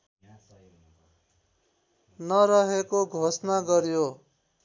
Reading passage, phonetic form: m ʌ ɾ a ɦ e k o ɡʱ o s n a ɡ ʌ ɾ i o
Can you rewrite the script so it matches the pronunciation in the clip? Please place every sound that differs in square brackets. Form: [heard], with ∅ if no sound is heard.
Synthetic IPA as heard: [n] ʌ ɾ [ʌ] ɦ e k o ɡʱ o s n a ɡ ʌ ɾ [j] o